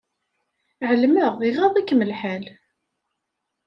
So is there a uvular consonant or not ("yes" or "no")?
yes